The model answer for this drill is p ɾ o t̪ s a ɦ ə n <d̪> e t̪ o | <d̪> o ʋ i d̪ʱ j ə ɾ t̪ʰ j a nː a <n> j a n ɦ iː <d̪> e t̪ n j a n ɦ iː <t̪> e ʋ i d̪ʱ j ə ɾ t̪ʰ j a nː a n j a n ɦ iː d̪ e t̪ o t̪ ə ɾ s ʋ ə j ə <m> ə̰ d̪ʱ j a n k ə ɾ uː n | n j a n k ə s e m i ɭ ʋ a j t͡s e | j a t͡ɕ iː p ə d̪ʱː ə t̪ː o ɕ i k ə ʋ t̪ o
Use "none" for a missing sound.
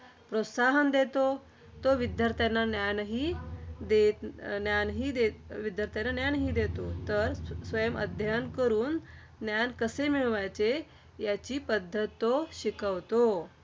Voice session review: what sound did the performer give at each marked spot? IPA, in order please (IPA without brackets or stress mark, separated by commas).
d̪, t̪, n, d̪, d̪, m